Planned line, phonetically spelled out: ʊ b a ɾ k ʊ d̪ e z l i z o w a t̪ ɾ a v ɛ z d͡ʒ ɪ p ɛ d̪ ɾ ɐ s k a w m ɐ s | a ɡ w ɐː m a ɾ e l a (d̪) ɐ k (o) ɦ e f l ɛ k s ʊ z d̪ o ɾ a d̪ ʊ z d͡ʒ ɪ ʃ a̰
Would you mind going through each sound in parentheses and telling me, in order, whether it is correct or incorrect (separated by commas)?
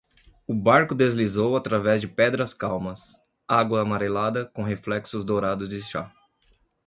correct, incorrect